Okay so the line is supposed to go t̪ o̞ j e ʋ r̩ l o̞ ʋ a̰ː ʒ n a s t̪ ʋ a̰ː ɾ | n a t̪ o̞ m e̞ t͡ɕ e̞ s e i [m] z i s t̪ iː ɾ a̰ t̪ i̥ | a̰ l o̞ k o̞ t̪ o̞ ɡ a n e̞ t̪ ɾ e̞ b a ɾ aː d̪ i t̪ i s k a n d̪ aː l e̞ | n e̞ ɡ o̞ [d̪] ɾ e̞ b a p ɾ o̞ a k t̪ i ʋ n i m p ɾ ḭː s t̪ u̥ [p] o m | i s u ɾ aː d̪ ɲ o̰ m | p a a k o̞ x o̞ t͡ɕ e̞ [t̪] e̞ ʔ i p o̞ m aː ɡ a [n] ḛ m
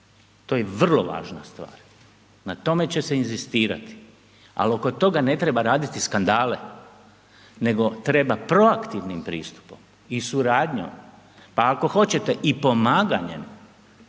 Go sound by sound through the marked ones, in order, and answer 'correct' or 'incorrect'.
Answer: incorrect: n, incorrect: t̪, correct, correct, incorrect: ɲ

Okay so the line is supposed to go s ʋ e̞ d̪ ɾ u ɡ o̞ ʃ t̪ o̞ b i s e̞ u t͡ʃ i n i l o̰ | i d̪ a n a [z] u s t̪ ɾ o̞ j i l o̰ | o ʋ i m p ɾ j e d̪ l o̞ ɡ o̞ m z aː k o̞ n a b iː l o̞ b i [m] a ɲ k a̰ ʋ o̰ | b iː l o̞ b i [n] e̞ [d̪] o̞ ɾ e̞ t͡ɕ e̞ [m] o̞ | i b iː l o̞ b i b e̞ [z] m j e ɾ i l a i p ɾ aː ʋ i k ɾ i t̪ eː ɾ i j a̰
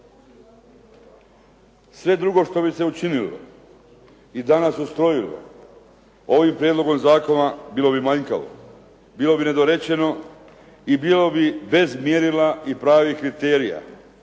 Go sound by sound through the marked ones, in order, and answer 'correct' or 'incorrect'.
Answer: incorrect: s, correct, correct, correct, incorrect: n, correct

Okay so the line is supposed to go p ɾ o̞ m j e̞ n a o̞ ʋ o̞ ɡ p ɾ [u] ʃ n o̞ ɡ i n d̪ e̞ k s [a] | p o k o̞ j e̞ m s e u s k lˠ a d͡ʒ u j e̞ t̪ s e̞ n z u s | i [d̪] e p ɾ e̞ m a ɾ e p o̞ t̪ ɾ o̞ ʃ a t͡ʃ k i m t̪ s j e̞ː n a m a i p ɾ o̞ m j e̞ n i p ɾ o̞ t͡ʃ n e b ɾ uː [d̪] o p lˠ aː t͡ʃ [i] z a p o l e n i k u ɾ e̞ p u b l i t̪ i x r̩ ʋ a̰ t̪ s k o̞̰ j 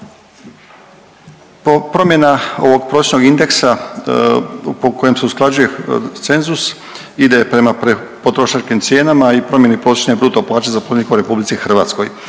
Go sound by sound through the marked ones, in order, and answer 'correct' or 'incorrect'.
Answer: incorrect: o, correct, correct, incorrect: t̪, incorrect: e

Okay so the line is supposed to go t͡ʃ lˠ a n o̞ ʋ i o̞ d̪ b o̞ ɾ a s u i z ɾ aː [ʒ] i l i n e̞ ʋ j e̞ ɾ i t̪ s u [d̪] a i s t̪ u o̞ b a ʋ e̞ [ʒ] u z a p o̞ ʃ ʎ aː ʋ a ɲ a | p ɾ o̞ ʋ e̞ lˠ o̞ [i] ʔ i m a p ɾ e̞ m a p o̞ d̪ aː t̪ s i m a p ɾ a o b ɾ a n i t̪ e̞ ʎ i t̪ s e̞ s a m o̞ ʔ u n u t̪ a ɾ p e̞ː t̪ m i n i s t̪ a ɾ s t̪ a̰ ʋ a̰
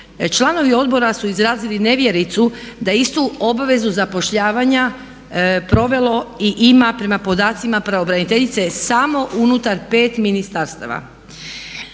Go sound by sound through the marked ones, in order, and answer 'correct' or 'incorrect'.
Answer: incorrect: z, correct, incorrect: z, correct

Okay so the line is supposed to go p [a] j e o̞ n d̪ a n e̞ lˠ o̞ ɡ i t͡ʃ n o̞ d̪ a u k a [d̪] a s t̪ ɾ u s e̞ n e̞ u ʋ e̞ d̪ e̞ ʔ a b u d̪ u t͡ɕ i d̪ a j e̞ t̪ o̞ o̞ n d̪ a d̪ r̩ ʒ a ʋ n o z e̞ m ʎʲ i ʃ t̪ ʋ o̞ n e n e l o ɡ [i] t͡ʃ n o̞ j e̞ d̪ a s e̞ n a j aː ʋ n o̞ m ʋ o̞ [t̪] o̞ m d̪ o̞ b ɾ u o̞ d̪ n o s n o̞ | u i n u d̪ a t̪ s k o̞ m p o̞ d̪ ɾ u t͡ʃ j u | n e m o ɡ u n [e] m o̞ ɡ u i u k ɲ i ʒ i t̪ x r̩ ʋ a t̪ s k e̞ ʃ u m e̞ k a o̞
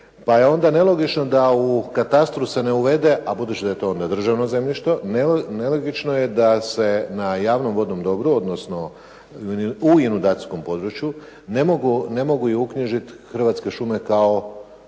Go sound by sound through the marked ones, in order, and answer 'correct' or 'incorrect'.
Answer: correct, incorrect: t̪, correct, incorrect: d̪, correct

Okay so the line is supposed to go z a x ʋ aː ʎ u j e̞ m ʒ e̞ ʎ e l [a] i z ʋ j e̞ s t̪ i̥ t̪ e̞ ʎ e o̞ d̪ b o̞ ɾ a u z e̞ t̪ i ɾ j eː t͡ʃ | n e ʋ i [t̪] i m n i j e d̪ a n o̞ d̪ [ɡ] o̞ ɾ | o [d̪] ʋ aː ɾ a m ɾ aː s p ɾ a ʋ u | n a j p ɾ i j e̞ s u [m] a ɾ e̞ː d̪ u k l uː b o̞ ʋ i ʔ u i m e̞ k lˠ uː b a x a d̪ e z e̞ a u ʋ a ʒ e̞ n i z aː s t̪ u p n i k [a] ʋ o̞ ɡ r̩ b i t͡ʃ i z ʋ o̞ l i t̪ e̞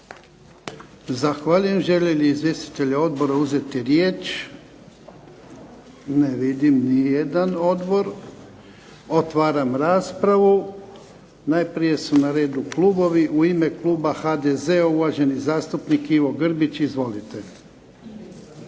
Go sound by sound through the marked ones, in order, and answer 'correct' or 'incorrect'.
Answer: incorrect: i, incorrect: d̪, incorrect: b, incorrect: t̪, incorrect: n, incorrect: i

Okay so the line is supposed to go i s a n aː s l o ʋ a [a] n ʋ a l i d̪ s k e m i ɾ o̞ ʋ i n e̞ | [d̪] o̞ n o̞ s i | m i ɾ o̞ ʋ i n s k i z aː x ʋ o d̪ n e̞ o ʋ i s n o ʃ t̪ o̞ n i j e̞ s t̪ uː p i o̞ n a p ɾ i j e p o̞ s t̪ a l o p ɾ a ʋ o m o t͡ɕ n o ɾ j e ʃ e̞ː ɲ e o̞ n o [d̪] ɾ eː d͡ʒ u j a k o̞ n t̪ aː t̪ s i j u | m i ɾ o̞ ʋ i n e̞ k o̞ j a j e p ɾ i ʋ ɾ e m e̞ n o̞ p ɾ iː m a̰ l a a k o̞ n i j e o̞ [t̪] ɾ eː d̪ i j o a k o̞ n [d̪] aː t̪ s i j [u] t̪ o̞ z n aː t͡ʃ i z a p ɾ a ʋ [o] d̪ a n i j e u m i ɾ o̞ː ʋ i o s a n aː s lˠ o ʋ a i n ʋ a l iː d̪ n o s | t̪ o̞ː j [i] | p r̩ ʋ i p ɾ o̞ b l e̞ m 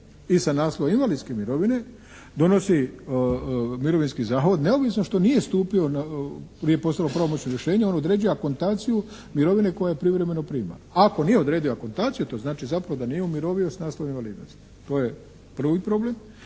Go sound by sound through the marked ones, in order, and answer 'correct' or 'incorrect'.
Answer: incorrect: i, correct, correct, incorrect: d̪, incorrect: t̪, correct, correct, incorrect: e

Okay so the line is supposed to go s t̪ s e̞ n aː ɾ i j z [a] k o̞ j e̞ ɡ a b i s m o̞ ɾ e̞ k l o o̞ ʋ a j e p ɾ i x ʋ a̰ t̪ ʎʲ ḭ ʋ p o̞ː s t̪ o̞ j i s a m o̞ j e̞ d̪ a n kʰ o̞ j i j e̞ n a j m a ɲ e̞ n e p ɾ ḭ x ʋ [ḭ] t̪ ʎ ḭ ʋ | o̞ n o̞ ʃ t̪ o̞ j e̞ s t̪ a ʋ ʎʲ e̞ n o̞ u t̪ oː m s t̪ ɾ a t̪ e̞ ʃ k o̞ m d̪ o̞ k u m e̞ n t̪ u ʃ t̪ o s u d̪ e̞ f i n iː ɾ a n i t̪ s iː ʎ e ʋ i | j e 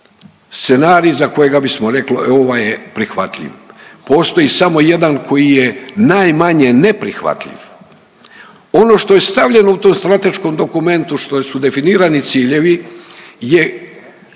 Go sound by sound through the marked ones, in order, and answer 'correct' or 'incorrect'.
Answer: correct, incorrect: a̰

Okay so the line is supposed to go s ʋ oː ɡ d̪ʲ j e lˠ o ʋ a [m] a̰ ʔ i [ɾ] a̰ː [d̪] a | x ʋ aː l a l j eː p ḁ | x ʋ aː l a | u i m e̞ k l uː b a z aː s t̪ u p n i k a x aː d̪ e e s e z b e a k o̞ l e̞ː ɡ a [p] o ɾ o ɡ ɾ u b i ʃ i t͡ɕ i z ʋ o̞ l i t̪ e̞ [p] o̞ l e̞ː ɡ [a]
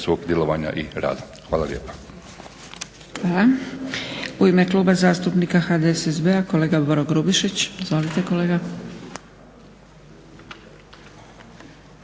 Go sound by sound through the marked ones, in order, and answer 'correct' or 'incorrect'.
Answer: incorrect: ɲ, correct, correct, incorrect: b, incorrect: k, correct

